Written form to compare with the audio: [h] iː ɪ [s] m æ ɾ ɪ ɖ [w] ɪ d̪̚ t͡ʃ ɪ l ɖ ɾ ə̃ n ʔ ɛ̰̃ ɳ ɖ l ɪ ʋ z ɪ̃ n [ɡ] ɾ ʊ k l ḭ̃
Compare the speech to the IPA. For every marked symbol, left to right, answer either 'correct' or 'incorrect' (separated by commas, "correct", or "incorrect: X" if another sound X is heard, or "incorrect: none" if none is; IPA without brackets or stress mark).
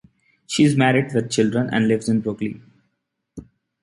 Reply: incorrect: ʃ, incorrect: z, incorrect: ʋ, incorrect: b